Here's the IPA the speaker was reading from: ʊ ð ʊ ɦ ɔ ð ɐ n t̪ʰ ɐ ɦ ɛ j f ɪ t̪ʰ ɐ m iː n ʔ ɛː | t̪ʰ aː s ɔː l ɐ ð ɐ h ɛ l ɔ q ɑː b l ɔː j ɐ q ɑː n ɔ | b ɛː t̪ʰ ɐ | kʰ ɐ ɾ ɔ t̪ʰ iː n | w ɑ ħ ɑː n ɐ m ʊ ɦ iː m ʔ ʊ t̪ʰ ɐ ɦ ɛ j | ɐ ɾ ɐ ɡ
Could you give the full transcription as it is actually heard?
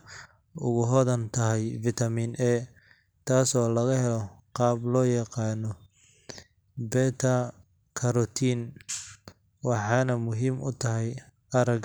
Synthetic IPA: ʊ ɣ ʊ ɦ ɔ ð ɐ n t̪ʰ ɐ ɦ ɛ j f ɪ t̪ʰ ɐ m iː n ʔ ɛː | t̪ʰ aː s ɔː l ɐ ɣ ɐ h ɛ l ɔ q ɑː b l ɔː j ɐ q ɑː n ɔ | b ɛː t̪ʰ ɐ | kʰ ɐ ɾ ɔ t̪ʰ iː n | w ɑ ħ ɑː n ɐ m ʊ ɦ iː m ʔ ʊ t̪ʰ ɐ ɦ ɛ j | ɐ ɾ ɐ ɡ

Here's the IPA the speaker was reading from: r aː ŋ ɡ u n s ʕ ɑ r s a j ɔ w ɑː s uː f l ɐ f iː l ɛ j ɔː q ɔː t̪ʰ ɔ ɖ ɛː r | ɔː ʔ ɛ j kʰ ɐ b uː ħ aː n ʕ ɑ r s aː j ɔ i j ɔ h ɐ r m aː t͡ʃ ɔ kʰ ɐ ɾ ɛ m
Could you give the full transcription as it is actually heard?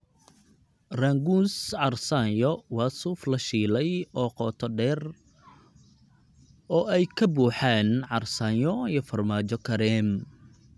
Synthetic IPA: r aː ŋ ɡ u n s ʕ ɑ r s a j ɔ w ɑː s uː f l ɐ ʃ iː l ɛ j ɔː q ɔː t̪ʰ ɔ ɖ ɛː r | ɔː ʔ ɛ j kʰ ɐ b uː ħ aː n ʕ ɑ r s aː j ɔ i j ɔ f ɐ r m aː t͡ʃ ɔ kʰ ɐ ɾ ɛ m

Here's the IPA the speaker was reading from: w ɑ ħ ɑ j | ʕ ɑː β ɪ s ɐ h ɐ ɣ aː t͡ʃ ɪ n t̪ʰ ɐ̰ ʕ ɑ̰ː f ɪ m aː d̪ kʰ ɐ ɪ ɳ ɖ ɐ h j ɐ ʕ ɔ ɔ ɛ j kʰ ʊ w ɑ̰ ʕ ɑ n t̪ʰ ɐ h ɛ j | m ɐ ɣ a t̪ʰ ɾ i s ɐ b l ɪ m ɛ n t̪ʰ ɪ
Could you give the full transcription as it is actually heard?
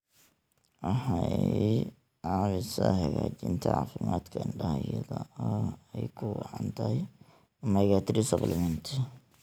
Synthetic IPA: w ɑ ħ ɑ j | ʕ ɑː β ɪ s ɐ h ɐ ɣ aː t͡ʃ ɪ n t̪ʰ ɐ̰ ʕ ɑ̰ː f ɪ m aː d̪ kʰ ɐ ɪ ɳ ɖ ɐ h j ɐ ð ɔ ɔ ɛ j kʰ ʊ w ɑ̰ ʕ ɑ n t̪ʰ ɐ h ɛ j | m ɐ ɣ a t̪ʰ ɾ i s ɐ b l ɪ m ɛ n t̪ʰ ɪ

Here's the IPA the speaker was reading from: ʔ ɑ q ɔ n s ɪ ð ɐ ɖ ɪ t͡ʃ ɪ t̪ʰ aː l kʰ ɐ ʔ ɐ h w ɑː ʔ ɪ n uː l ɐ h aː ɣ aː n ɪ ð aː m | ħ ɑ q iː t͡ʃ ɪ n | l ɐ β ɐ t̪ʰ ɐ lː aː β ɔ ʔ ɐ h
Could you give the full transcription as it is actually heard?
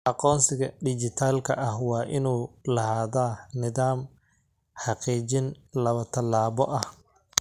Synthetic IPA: ʔ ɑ q ɔː n s ɪ ɣ ɐ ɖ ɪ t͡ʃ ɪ t̪ʰ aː l kʰ ɐ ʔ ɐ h w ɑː ʔ ɪ n uː l ɐ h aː ð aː n ɪ ð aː m | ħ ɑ q iː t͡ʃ ɪ n | l ɐ β ɐ t̪ʰ ɐ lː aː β ɔ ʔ ɐ h

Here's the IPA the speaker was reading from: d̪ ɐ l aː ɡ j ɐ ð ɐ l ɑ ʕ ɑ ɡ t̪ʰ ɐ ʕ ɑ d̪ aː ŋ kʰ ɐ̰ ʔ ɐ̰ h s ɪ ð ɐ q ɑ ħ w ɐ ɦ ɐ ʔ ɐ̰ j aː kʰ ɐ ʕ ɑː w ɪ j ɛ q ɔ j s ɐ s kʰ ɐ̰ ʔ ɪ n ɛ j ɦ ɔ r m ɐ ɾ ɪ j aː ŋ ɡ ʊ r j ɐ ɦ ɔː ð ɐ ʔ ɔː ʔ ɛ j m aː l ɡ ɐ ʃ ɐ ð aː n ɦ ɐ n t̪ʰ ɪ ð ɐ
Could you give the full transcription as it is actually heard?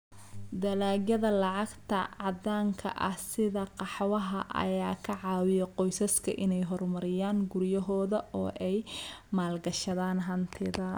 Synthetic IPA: d̪ ɐ l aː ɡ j ɐ ð ɐ l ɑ ʕ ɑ ɡ t̪ʰ ɐ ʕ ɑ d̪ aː ŋ kʰ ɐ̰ ʔ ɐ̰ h s ɪ ð ɐ q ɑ ħ w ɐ ɦ ɐ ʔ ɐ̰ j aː kʰ ɐ ʕ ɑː w ɪ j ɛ q ɔ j s ɐ s kʰ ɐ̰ ʔ ɪ n ɛ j ɦ ɔ r m ɐ ɾ ɪ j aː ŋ ɡ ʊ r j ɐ ɦ ɔː ð ɐ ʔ ɔː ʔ ɛ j m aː l ɡ ɐ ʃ ɐ ð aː n ɦ ɐ n t̪ʰ ɪ ð ɐ

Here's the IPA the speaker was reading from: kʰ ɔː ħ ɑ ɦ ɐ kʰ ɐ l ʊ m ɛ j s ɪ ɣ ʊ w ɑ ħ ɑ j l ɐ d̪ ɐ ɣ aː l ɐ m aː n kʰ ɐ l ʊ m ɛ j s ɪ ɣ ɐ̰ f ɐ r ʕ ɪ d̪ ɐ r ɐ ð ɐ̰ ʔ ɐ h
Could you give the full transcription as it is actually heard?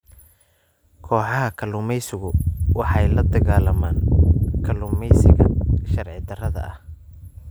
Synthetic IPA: kʰ ɔː ħ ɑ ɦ ɐ kʰ ɐ l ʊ m ɛ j s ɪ ɣ ʊ w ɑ ħ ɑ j l ɐ d̪ ɐ ɣ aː l ɐ m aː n kʰ ɐ l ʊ m ɛ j s ɪ ɣ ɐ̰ ʃ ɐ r ʕ ɪ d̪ ɐ r ɐ ð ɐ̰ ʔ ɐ h

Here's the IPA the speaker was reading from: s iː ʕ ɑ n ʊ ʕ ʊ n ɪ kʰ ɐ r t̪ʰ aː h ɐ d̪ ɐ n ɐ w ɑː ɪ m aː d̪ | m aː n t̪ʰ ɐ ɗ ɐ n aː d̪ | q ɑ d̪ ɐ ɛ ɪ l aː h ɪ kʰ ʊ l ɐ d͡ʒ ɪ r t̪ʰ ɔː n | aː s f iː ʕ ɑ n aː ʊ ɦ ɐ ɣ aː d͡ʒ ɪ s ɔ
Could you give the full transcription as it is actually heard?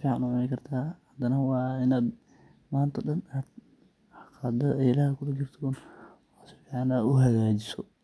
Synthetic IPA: f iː ʕ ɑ n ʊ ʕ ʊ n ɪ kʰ ɐ r t̪ʰ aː h ɐ d̪ ɐ n ɐ w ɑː ɪ n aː d̪ | m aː n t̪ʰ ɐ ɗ ɐ n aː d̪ | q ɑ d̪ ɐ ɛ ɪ l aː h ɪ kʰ ʊ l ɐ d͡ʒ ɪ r t̪ʰ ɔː n | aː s f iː ʕ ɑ n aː ʊ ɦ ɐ ɣ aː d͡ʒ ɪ s ɔ

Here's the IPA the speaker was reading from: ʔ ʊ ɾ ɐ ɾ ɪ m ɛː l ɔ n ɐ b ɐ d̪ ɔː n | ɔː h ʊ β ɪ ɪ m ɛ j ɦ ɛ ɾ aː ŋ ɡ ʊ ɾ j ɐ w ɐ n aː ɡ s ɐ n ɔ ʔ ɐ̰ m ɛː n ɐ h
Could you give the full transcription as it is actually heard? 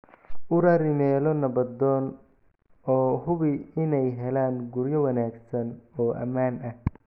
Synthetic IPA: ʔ ʊ ɾ ɐ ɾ ɪ m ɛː l ɔ n ɐ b ɐ d̪ ɔː n | ɔː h ʊ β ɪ ɪ n ɛ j ɦ ɛ l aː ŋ ɡ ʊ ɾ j ɐ w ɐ n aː ɡ s ɐ n ɔː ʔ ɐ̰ m aː n ɐ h

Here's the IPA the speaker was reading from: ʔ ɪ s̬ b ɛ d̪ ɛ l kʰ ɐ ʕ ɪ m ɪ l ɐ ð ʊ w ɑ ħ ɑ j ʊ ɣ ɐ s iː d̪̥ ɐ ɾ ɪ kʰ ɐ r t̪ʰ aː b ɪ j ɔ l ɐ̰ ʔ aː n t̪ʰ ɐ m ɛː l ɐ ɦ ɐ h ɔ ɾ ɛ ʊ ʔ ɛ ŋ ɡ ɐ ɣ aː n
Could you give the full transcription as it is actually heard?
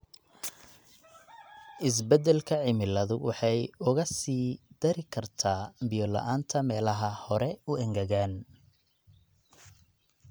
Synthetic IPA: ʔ ɪ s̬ b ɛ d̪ ɛ l kʰ ɐ ʕ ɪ m ɪ l ɐ ð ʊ w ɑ ħ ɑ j ʊ ɣ ɐ s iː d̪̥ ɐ ɾ ɪ kʰ ɐ r t̪ʰ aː b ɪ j ɔ l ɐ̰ ʔ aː n t̪ʰ ɐ m ɛː l ɐ ɦ ɐ h ɔ ɾ ɛ ʊ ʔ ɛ ŋ ɡ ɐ ɣ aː n

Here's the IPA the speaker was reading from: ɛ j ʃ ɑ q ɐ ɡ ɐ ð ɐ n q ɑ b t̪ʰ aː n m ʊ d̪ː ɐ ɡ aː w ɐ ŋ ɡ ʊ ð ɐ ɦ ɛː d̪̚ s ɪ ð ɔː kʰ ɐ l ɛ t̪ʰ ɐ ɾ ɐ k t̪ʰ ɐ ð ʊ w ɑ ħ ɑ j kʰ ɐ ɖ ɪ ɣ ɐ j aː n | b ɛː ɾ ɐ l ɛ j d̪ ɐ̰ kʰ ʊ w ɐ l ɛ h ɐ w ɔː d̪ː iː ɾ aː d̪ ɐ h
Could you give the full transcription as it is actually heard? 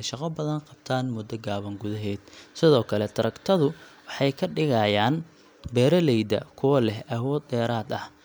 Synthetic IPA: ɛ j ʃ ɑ q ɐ b ɐ ð ɐ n q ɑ b t̪ʰ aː n m ʊ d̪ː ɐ ɡ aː β ɐ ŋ ɡ ʊ ð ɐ ɦ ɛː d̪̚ s ɪ ð ɔː kʰ ɐ l ɛ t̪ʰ ɐ ɾ ɐ k t̪ʰ ɐ ð ʊ w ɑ ħ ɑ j kʰ ɐ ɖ ɪ ɣ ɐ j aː n | b ɛː ɾ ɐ l ɛ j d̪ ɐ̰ kʰ ʊ w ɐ l ɛ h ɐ w ɔː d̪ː ɛː ɾ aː d̪ ɐ h

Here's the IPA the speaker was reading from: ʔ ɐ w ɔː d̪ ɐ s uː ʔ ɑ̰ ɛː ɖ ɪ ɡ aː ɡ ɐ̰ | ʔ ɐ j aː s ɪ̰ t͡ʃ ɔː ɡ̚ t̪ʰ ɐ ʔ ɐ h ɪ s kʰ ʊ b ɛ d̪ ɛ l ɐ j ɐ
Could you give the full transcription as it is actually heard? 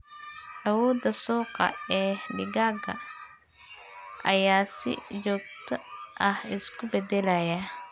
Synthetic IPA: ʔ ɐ w ɔː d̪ ɐ s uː q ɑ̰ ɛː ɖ ɪ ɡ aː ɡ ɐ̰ | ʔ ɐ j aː s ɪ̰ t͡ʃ ɔː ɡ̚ t̪ʰ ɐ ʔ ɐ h ɪ s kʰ ʊ b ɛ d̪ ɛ l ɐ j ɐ

